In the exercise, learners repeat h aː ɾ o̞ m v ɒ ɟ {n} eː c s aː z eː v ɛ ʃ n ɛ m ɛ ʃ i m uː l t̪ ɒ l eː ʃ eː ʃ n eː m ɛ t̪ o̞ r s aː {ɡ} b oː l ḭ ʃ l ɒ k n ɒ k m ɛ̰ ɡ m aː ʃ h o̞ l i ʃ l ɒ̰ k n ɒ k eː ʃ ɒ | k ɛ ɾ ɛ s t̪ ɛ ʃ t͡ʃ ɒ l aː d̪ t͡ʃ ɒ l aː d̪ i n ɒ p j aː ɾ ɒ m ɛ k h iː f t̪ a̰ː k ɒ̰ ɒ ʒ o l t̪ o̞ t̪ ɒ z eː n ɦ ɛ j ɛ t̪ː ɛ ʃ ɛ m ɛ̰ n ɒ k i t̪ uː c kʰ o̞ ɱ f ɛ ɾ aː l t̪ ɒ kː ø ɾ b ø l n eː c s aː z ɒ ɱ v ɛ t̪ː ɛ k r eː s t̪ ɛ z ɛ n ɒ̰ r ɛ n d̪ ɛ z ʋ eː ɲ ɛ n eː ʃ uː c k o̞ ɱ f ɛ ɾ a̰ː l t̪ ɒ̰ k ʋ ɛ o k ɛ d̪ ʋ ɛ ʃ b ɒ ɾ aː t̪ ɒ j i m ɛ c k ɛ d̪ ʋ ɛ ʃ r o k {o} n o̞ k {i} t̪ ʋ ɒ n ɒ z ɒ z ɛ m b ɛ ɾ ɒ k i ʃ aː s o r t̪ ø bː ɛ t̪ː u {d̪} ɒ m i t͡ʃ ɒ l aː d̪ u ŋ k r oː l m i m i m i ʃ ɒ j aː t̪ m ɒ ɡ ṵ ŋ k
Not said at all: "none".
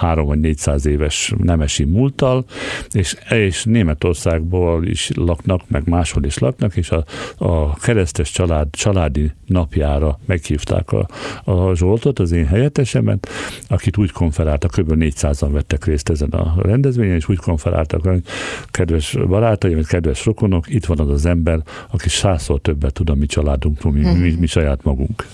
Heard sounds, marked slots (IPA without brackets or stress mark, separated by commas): n, ɡ, o, i, d̪